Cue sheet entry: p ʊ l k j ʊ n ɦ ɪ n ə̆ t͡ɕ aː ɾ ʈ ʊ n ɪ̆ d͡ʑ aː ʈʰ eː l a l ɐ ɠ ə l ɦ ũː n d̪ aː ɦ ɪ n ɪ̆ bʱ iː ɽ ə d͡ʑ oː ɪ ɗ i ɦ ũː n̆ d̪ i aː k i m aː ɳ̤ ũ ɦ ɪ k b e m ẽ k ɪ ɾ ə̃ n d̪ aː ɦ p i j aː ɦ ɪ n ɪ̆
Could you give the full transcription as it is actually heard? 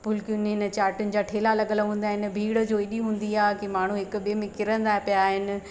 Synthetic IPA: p ʊ l k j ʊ n ɦ ɪ n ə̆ t͡ɕ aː ɾ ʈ ʊ n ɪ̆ d͡ʑ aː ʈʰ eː l a l ɐ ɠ ə l ɦ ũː n d̪ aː ɦ ɪ n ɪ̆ bʱ iː ɽ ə d͡ʑ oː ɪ ɗ i ɦ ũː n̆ d̪ i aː k i m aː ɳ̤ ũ ɦ ɪ k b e m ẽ k ɪ ɾ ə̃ n d̪ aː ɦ p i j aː ɦ ɪ n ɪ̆